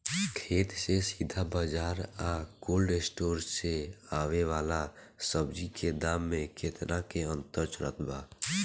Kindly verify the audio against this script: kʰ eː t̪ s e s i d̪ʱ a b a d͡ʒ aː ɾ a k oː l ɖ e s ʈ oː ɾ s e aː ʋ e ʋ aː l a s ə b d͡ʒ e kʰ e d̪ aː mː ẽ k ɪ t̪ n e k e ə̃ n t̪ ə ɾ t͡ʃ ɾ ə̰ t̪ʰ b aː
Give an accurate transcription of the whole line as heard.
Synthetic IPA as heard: kʰ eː t̪ s e s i d̪ʱ a b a d͡ʒ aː ɾ a k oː l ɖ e s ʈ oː ɾ s e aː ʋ e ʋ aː l a s ə b d͡ʒ i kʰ e d̪ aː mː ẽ k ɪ t̪ n a k e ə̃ n t̪ ə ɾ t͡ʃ ɾ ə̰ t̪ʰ b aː